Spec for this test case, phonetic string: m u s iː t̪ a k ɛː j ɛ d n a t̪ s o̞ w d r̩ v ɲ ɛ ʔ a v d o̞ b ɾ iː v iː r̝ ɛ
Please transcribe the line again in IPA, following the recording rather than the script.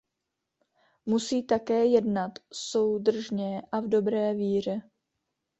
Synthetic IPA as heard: m u s iː t̪ a k ɛː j ɛ d n a t̪ s o̞ w d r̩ ʒ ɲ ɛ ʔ a v d o̞ b ɾ ɛː v iː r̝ ɛ

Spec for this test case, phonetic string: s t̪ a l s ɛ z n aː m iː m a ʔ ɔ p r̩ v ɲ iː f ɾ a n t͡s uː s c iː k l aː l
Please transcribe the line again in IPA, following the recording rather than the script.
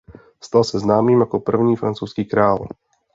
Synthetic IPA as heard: s t̪ a l s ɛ z n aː m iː m a k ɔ p r̩ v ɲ iː f ɾ a n t͡s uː s k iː k ɾ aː l

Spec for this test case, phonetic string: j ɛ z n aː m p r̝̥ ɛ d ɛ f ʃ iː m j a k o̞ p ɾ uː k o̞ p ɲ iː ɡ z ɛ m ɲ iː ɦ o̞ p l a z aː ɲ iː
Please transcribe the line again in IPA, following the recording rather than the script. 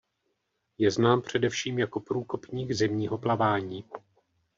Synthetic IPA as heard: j ɛ z n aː m p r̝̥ ɛ d ɛ f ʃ iː m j a k o̞ p ɾ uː k o̞ p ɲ iː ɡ z ɛ m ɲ iː ɦ o̞ p l a v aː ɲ iː

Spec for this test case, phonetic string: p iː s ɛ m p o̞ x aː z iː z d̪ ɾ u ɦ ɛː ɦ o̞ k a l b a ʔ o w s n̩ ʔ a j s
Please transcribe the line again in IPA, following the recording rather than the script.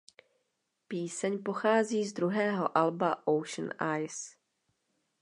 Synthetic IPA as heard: p iː s ɛ ɲ p o̞ x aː z iː z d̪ ɾ u ɦ ɛː ɦ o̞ ʔ a l b a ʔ o w ʃ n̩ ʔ a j s

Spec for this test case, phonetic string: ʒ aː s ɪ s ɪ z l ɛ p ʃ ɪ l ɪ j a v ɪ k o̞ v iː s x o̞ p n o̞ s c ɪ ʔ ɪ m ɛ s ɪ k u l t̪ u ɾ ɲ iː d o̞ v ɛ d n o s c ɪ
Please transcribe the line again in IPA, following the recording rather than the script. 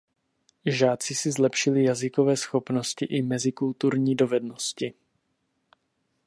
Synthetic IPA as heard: ʒ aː t͡s ɪ s ɪ z l ɛ p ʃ ɪ l ɪ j a z ɪ k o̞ v ɛː s x o̞ p n o̞ s c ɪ ʔ ɪ m ɛ z ɪ k u l t̪ u ɾ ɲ iː d o̞ v ɛ d n o s c ɪ

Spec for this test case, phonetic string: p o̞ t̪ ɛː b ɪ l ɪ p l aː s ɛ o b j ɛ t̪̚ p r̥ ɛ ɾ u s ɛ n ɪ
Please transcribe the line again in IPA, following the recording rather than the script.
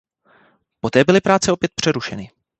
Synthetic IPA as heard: p o̞ t̪ ɛː b ɪ l ɪ p ɾ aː t͡s ɛ o p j ɛ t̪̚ p r̥ ɛ ɾ u ʃ ɛ n ɪ

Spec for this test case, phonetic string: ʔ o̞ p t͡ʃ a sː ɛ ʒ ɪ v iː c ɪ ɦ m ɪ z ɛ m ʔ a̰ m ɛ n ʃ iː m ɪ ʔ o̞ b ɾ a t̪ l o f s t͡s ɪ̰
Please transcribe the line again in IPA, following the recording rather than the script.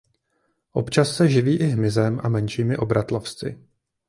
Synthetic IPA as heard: ʔ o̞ p t͡ʃ a sː ɛ ʒ ɪ v iː ʔ ɪ ɦ m ɪ z ɛ m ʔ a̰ m ɛ n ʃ iː m ɪ ʔ o̞ b ɾ a t̪ l o f s t͡s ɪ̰

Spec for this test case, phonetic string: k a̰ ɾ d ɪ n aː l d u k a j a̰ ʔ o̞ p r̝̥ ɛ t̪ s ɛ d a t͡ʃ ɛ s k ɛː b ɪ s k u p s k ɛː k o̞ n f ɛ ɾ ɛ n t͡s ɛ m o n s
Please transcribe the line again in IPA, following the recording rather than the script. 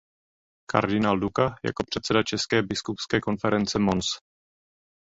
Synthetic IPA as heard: k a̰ ɾ d ɪ n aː l d u k a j a̰ k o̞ p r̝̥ ɛ t̪ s ɛ d a t͡ʃ ɛ s k ɛː b ɪ s k u p s k ɛː k o̞ n f ɛ ɾ ɛ n t͡s ɛ m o n s

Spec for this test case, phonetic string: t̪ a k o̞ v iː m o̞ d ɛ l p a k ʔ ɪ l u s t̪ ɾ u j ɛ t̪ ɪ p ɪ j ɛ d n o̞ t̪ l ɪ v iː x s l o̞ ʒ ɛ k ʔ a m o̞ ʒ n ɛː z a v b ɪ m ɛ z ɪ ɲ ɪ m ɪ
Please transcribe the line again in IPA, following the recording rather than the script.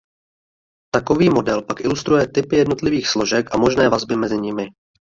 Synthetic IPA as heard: t̪ a k o̞ v iː m o̞ d ɛ l p a k ʔ ɪ l u s t̪ ɾ u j ɛ t̪ ɪ p ɪ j ɛ d n o̞ t̪ l ɪ v iː x s l o̞ ʒ ɛ k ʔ a m o̞ ʒ n ɛː v a z b ɪ m ɛ z ɪ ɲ ɪ m ɪ

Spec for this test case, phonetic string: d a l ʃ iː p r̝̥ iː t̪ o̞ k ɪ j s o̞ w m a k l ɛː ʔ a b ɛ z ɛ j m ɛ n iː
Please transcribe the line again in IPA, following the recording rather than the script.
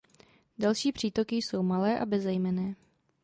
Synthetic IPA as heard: d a l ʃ iː p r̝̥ iː t̪ o̞ k ɪ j s o̞ w m a l ɛː ʔ a b ɛ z ɛ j m ɛ n ɛː

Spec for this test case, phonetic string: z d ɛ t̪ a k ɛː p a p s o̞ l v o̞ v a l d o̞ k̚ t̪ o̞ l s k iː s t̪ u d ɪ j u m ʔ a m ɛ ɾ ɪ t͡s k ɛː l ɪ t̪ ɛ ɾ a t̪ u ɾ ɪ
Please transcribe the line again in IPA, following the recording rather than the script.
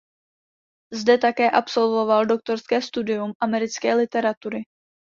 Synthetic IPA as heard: z d ɛ t̪ a k ɛː ʔ a p s o̞ l v o̞ v a l d o̞ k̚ t̪ o̞ ɾ s k ɛː s t̪ u d ɪ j u m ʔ a m ɛ ɾ ɪ t͡s k ɛː l ɪ t̪ ɛ ɾ a t̪ u ɾ ɪ

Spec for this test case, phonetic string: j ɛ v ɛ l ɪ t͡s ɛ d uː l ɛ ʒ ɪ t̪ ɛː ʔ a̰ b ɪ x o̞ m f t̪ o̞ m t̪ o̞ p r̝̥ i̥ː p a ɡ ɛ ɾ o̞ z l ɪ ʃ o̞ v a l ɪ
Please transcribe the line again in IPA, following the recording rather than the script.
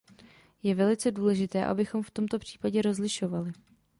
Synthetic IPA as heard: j ɛ v ɛ l ɪ t͡s ɛ d uː l ɛ ʒ ɪ t̪ ɛː ʔ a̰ b ɪ x o̞ m f t̪ o̞ m t̪ o̞ p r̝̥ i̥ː p a ɟ ɛ ɾ o̞ z l ɪ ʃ o̞ v a l ɪ

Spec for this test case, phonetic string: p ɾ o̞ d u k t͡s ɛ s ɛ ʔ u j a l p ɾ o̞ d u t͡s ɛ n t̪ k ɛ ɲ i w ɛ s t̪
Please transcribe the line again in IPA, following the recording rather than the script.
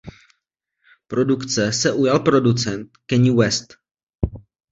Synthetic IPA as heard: p ɾ o̞ d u k t͡s ɛ s ɛ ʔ u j a l p ɾ o̞ d u t͡s ɛ n t̪ k ɛ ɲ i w ɛ s t̪

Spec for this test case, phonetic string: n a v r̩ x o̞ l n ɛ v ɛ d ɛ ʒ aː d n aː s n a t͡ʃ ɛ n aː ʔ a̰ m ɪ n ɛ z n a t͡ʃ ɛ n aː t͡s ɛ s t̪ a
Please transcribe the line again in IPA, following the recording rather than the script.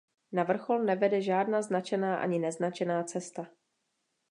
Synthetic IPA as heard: n a v r̩ x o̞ l n ɛ v ɛ d ɛ ʒ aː d n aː z n a t͡ʃ ɛ n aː ʔ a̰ ɲ ɪ n ɛ z n a t͡ʃ ɛ n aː t͡s ɛ s t̪ a

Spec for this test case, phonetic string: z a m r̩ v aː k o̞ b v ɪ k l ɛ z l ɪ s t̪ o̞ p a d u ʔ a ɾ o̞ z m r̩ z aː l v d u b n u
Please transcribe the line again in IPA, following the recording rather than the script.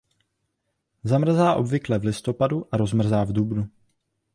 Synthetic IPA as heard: z a m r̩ z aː ʔ o̞ b v ɪ k l ɛ v l ɪ s t̪ o̞ p a d u ʔ a ɾ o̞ z m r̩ z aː v d u b n u

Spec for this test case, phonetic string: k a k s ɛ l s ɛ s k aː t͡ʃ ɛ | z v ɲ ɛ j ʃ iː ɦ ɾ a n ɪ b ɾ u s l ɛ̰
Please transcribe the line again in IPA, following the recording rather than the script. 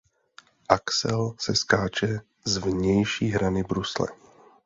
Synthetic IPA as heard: ʔ a k s ɛ l s ɛ s k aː t͡ʃ ɛ | z v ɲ ɛ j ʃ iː ɦ ɾ a n ɪ b ɾ u s l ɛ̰

